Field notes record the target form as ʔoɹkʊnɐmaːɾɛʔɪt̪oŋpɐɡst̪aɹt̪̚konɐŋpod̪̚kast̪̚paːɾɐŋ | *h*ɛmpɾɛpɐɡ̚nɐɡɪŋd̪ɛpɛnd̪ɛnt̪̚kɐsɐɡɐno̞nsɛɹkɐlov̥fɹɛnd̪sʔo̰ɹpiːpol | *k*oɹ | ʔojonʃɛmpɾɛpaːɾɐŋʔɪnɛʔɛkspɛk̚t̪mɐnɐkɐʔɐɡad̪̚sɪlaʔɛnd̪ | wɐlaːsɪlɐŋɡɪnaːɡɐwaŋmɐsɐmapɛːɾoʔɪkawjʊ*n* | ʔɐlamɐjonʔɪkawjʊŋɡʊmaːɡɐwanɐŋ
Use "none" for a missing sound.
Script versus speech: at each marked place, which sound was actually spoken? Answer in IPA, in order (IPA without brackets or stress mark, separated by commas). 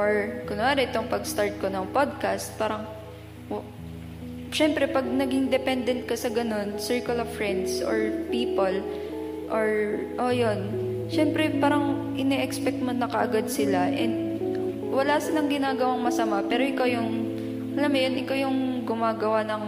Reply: ʃ, ʔ, ŋ